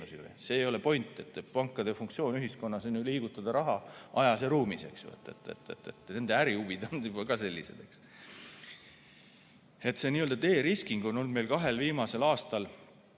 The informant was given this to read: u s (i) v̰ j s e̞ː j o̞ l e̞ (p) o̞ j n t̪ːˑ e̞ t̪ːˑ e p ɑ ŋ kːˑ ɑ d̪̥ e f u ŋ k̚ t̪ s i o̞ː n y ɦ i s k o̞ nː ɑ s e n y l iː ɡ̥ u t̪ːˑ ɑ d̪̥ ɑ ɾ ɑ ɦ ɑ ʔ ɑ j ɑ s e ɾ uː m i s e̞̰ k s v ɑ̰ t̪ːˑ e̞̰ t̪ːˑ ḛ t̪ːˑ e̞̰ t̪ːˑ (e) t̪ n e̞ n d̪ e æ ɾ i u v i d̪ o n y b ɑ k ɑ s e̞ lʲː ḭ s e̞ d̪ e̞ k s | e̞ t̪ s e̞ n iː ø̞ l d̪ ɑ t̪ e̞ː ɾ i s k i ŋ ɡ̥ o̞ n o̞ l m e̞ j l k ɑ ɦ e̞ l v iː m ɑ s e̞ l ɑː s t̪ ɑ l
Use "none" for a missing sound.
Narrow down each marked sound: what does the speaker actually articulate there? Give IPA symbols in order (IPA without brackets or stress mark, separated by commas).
i, p, e